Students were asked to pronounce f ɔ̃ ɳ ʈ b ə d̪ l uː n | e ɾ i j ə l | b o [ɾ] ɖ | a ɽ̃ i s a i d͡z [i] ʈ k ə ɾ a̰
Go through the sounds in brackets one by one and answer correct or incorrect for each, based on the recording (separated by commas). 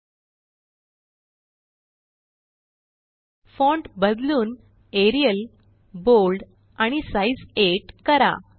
incorrect, incorrect